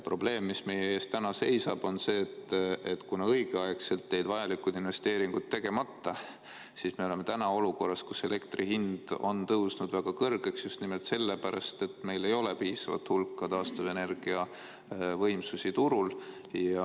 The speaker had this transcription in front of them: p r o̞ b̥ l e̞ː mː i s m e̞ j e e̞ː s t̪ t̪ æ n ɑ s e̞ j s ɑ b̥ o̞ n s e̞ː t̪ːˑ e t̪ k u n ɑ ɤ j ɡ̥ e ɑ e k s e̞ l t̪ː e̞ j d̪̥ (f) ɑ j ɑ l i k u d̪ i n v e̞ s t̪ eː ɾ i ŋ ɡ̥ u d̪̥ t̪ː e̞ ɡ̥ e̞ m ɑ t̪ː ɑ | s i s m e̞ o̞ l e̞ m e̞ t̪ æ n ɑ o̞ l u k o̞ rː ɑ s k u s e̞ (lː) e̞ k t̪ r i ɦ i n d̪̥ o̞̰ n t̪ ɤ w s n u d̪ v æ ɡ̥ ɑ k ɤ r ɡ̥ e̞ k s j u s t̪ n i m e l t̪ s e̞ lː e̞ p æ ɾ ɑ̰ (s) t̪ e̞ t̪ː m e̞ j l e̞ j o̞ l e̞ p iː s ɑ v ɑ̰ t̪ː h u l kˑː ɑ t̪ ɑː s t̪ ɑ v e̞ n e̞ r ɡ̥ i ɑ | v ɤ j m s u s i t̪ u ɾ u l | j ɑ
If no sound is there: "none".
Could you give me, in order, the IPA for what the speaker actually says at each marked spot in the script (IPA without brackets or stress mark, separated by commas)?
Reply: v, l, s